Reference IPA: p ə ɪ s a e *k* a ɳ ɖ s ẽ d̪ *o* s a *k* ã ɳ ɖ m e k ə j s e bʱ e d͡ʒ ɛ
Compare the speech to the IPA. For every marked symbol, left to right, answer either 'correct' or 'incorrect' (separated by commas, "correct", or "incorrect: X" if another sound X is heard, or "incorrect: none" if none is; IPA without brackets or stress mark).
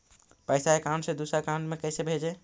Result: correct, incorrect: u, correct